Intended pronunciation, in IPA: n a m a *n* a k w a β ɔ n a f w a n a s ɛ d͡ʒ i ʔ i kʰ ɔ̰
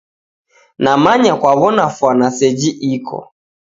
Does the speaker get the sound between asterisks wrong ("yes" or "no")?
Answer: yes